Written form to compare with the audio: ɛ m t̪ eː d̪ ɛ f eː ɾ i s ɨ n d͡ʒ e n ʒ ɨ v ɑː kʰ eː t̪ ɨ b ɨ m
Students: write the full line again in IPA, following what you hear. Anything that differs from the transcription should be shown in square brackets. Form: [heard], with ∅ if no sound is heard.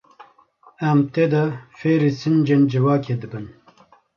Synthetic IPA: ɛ m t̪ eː d̪ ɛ f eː ɾ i s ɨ n d͡ʒ e n [d͡ʒ] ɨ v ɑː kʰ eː [d̪] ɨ b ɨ [n]